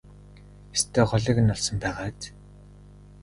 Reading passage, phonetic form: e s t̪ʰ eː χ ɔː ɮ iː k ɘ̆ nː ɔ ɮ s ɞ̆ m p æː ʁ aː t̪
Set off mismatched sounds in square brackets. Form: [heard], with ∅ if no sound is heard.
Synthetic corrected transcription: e s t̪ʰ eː χ [ɔ] ɮ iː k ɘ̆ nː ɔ ɮ s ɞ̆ m p æː ʁ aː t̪